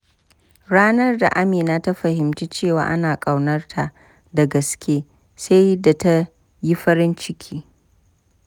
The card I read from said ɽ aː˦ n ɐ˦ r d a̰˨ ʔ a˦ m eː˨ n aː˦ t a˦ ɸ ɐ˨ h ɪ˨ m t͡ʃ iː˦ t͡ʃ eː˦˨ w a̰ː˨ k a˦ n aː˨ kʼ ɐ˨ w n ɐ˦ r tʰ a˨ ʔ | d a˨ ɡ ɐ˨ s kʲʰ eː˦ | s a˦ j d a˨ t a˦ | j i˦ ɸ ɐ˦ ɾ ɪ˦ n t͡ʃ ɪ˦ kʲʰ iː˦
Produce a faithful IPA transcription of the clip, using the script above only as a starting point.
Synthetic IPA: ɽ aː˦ n ɐ˦ r d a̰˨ ʔ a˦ m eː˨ n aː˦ t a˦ ɸ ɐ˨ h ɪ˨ m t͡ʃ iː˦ t͡ʃ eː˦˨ w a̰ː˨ ʔ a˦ n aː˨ kʼ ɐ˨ w n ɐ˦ r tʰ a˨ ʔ | d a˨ ɡ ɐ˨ s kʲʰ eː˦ | s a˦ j d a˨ t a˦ | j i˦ ɸ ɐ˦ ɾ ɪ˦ n t͡ʃ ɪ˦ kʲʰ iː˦